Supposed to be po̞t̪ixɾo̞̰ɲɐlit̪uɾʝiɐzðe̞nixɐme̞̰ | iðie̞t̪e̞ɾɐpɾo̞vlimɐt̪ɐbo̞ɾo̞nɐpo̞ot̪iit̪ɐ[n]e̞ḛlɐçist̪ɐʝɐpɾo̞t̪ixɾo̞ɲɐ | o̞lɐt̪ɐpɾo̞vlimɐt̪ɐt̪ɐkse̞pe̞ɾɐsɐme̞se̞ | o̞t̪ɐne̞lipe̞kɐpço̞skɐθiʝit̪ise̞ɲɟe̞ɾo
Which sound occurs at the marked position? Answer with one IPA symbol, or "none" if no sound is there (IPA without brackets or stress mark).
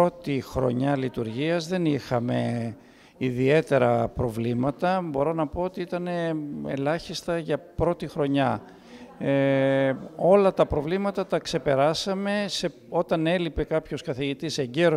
n